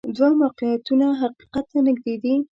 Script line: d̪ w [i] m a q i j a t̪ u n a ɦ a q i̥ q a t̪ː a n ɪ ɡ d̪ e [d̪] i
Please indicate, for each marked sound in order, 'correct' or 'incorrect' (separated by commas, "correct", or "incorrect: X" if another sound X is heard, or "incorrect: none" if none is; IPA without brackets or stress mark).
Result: incorrect: a, correct